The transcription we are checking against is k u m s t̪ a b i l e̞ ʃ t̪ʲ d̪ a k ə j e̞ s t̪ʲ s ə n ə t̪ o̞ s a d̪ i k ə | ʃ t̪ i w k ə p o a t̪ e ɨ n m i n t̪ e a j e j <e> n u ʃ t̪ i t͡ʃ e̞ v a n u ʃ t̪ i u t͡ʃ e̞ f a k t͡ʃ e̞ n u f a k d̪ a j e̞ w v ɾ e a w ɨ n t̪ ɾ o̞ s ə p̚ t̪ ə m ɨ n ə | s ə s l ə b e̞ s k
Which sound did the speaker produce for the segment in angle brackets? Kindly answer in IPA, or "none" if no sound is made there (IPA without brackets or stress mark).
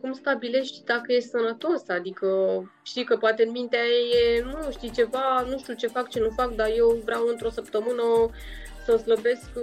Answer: e